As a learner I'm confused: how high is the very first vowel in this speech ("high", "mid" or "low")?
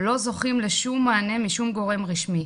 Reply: mid